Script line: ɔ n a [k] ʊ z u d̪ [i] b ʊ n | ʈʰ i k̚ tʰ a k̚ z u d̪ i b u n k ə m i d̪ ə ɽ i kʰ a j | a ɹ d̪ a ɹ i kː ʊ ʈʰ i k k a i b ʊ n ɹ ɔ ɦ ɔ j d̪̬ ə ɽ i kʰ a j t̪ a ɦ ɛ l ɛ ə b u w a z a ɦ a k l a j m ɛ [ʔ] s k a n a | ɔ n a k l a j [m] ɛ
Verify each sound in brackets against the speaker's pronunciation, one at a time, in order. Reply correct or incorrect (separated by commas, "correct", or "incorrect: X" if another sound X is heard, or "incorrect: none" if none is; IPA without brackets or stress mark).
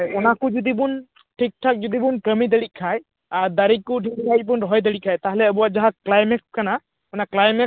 correct, correct, incorrect: k, correct